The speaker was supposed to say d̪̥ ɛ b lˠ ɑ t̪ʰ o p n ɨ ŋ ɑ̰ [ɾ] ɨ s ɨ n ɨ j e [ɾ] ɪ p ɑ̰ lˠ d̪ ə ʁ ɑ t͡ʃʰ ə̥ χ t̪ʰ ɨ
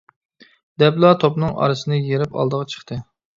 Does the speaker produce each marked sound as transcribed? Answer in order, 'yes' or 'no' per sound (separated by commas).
yes, yes